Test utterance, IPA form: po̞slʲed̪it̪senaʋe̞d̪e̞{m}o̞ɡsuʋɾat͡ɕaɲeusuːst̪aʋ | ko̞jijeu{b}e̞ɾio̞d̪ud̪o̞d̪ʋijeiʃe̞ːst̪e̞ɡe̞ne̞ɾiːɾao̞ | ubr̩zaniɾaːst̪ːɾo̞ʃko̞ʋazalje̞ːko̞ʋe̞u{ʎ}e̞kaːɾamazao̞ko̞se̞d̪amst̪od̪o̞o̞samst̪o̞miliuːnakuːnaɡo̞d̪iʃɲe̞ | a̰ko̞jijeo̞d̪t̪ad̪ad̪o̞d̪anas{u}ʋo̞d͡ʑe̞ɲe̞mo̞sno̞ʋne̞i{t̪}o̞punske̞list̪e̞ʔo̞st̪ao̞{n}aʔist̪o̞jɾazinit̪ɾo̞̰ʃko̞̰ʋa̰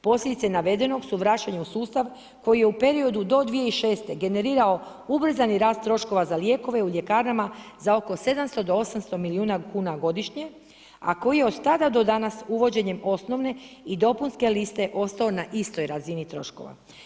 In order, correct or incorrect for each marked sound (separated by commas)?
incorrect, incorrect, correct, correct, incorrect, correct